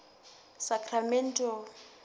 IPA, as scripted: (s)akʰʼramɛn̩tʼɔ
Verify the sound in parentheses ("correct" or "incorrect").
correct